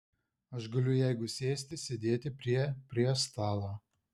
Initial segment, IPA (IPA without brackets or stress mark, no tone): ɐ